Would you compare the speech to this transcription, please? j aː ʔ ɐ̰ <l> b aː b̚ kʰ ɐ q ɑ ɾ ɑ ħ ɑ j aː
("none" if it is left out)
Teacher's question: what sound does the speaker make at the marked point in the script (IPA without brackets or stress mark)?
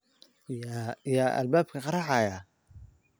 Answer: l